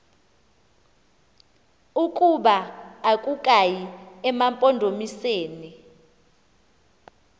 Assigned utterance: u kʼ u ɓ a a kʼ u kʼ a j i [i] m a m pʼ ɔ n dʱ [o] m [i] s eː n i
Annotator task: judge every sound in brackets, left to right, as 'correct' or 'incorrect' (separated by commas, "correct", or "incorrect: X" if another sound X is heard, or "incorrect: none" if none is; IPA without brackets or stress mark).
incorrect: ɛ, correct, correct